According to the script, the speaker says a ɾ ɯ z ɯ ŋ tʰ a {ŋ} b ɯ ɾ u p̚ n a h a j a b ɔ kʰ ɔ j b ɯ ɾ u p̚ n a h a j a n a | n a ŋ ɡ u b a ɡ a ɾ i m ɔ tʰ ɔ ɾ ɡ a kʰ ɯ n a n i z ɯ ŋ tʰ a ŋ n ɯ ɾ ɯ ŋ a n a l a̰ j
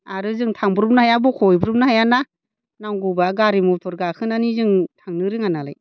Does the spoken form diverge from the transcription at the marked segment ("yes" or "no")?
no